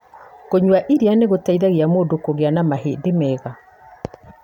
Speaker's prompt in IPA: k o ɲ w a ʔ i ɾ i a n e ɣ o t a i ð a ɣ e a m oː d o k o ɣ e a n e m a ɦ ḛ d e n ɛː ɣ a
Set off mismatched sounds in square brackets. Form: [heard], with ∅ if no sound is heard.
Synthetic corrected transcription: k o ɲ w a ʔ i ɾ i a n e ɣ o t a i ð a ɣ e a m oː d o k o ɣ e a n [a] m a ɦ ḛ d e [m] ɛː ɣ a